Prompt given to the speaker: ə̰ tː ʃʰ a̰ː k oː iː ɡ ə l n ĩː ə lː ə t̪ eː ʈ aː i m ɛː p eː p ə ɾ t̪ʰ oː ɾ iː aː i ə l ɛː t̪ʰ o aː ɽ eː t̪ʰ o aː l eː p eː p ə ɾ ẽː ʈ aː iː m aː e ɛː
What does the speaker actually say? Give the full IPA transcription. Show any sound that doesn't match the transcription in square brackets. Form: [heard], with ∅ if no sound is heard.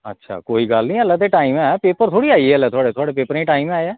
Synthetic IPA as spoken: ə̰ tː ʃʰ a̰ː k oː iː ɡ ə l n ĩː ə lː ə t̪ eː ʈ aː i m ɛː p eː p ə ɾ t̪ʰ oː [ɽ] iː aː i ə l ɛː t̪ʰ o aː ɽ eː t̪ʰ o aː [ɽ] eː p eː p ə ɾ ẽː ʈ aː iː m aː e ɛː